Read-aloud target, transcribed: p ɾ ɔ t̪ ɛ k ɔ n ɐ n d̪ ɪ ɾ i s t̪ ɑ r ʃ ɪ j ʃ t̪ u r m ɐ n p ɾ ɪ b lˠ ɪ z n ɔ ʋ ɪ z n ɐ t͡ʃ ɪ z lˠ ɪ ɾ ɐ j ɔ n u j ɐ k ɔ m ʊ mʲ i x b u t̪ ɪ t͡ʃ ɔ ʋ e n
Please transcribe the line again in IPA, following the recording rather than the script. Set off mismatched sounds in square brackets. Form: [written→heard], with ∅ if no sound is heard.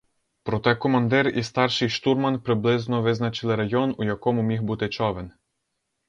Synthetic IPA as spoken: p ɾ ɔ t̪ ɛ k ɔ [n→m] ɐ n d̪ ɪ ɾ i s t̪ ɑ r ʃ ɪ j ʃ t̪ u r m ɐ n p ɾ ɪ b lˠ ɪ z n ɔ ʋ ɪ z n ɐ t͡ʃ ɪ [z→∅] lˠ ɪ ɾ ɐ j ɔ n u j ɐ k ɔ m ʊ mʲ i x b u t̪ ɪ t͡ʃ ɔ ʋ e n